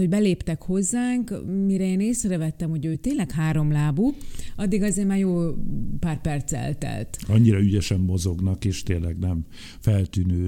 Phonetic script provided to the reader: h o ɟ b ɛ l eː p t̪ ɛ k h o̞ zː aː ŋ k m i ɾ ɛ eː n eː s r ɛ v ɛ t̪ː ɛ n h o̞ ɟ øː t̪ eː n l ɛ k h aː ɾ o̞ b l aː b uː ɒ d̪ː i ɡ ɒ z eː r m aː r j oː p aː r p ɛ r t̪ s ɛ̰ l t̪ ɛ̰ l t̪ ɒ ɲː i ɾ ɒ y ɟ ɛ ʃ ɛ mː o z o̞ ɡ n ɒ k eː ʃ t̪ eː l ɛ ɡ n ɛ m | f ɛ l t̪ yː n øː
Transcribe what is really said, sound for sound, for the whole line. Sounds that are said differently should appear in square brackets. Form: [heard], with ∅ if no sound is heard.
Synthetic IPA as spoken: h o ɟ b ɛ l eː p t̪ ɛ k h o̞ zː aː ŋ k m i ɾ ɛ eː n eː s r ɛ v ɛ t̪ː ɛ [m] h o̞ ɟ øː t̪ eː n l ɛ k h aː ɾ o̞ [m] l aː b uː ɒ d̪ː i ɡ ɒ z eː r m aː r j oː p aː r p ɛ r t̪ s ɛ̰ l t̪ ɛ̰ l t̪ ɒ ɲː i ɾ ɒ y ɟ ɛ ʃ ɛ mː o z o̞ ɡ n ɒ k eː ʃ t̪ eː l ɛ ɡ n ɛ m | f ɛ l t̪ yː n øː